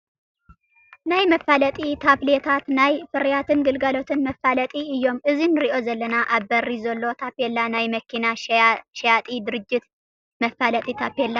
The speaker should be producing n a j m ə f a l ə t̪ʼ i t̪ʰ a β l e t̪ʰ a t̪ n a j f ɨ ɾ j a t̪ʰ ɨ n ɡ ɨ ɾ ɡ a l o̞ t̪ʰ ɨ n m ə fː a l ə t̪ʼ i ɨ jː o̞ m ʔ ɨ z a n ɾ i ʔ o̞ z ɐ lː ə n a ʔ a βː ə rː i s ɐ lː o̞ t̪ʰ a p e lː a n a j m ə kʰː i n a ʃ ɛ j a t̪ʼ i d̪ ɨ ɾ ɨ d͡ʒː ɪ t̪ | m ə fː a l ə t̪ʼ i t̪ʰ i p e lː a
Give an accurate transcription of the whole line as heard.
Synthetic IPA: n a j m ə f a l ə t̪ʼ i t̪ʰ a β l e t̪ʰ a t̪ n a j f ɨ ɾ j a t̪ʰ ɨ n ɡ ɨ l ɡ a l o̞ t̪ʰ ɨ n m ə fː a l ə t̪ʼ i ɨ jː o̞ m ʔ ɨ z i n ɾ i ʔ o̞ z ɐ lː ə n a ʔ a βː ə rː i z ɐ lː o̞ t̪ʰ a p e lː a n a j m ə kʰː i n a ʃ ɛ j a t̪ʼ i d̪ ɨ ɾ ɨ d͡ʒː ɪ t̪ | m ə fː a l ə t̪ʼ i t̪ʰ a p e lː a